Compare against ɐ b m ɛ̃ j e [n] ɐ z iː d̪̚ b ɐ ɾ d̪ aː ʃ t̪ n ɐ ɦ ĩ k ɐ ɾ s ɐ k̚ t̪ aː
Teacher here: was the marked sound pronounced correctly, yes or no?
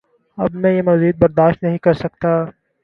no